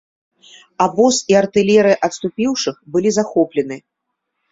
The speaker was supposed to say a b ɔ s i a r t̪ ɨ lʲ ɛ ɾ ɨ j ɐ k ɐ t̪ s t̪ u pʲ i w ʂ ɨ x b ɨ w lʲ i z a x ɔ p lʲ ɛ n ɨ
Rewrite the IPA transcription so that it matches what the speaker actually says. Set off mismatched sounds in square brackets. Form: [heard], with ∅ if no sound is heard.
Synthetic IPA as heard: a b ɔ s i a r t̪ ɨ lʲ ɛ ɾ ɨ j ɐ [ʔ] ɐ t̪ s t̪ u pʲ i w ʂ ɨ x b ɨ [∅] lʲ i z a x ɔ p lʲ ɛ n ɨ